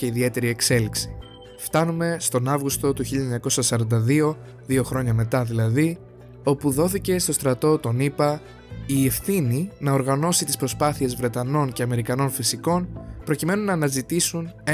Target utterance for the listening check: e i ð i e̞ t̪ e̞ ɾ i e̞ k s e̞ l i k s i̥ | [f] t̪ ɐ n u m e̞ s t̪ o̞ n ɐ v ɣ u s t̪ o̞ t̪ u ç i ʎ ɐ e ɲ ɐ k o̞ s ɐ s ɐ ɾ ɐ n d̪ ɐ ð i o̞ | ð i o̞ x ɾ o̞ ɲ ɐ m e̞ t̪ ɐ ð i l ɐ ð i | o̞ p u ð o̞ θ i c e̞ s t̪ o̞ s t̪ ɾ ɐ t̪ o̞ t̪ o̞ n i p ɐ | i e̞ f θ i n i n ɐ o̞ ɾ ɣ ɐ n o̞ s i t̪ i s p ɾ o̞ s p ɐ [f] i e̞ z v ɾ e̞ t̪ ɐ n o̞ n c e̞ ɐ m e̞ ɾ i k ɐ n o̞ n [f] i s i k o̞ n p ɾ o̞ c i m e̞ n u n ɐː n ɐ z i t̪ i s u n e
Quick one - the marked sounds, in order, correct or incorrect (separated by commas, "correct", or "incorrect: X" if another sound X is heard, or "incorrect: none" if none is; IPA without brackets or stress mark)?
correct, incorrect: θ, correct